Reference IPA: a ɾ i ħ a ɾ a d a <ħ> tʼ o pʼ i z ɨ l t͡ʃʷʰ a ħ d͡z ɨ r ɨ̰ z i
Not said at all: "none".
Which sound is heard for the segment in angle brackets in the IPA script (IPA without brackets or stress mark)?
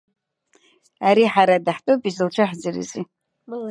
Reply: ħ